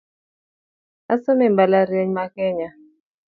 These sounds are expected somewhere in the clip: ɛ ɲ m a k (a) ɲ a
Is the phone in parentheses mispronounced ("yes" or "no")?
yes